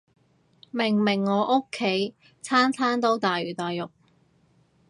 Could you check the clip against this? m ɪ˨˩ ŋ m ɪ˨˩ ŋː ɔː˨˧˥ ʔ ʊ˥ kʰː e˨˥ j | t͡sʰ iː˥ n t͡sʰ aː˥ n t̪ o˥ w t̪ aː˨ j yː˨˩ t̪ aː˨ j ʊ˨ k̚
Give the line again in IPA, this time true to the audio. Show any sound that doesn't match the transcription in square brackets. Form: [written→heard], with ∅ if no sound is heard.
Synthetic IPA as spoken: m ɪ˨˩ ŋ m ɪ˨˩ ŋː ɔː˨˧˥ ʔ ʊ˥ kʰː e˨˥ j | t͡sʰ [iː˥→aː˥] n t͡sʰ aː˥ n t̪ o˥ w t̪ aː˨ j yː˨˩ t̪ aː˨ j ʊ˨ k̚